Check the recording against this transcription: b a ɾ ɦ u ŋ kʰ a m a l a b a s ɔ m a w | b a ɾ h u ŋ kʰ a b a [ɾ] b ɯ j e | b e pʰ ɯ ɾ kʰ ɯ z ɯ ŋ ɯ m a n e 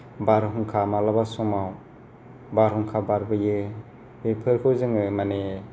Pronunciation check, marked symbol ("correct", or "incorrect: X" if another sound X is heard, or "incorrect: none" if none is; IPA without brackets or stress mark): correct